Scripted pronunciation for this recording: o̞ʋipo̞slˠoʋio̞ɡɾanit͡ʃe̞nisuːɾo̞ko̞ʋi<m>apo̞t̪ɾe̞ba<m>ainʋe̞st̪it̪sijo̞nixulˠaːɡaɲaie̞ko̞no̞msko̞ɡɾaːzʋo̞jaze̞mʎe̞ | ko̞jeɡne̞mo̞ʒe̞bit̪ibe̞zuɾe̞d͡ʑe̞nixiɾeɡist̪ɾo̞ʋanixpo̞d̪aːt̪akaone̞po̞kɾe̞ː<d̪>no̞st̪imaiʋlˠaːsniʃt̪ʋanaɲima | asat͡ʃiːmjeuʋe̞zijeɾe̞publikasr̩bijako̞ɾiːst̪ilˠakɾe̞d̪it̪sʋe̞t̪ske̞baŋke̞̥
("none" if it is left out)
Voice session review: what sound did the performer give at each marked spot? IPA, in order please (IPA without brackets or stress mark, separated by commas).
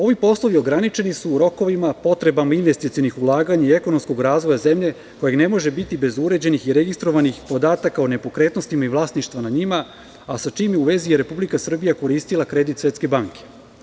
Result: m, m, t̪